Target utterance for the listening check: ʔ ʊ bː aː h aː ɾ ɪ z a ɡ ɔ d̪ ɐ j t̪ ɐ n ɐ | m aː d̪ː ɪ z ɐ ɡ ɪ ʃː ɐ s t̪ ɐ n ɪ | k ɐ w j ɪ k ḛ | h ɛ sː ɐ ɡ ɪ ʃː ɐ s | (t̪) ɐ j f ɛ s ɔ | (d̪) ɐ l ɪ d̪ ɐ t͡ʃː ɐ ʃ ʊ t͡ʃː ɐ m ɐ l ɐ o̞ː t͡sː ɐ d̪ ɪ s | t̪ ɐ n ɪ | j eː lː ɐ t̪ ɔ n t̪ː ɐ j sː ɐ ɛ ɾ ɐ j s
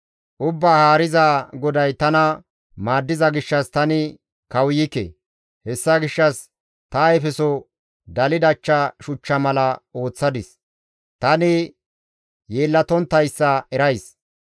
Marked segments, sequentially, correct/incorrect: correct, correct

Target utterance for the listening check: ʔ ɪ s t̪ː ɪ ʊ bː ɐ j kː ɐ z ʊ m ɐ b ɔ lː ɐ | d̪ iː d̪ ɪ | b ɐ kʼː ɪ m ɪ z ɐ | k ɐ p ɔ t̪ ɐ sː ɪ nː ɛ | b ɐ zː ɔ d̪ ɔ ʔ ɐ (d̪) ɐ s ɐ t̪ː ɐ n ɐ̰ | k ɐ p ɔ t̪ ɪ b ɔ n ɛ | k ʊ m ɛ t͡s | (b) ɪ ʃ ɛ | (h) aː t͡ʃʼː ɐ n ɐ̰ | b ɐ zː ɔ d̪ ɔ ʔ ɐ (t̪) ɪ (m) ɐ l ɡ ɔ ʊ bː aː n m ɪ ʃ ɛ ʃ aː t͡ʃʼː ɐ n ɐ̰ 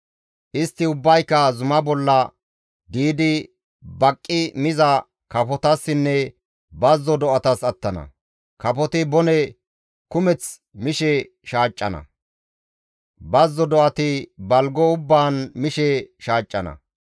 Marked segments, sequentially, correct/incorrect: incorrect: t̪, incorrect: m, incorrect: ʃ, correct, incorrect: b

